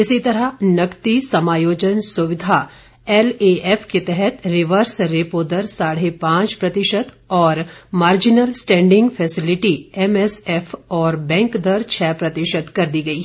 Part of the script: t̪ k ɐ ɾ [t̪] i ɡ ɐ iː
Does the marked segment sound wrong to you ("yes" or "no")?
yes